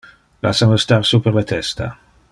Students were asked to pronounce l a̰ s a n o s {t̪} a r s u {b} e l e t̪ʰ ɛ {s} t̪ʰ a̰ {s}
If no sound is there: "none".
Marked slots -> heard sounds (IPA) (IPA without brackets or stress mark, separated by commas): t̪, p, s, none